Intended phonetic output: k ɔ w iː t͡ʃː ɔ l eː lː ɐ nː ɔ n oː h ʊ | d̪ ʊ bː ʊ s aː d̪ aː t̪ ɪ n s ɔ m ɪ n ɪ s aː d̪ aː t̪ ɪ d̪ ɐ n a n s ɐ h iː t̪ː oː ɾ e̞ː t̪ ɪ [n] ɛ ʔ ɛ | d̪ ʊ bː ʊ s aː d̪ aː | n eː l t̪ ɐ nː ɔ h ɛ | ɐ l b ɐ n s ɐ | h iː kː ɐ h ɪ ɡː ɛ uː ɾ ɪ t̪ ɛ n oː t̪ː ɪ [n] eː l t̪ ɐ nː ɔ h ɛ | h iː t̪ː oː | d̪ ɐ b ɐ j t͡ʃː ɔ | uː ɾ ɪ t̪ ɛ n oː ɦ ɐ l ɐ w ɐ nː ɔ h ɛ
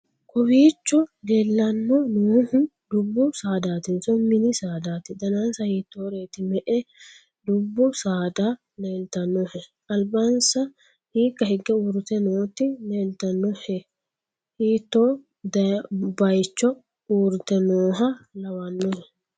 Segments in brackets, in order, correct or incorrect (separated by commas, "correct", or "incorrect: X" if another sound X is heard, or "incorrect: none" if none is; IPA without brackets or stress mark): incorrect: m, correct